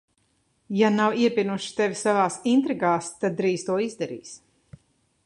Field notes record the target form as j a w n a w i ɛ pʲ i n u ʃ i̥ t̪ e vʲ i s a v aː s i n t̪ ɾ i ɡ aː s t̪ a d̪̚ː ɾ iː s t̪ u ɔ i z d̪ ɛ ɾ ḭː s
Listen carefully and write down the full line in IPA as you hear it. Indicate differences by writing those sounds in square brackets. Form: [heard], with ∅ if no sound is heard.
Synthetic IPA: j a [∅] n a w i ɛ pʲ i n u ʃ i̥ t̪ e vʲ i s a v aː s i n t̪ ɾ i ɡ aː s t̪ a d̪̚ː ɾ iː s t̪ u ɔ i z d̪ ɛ ɾ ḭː s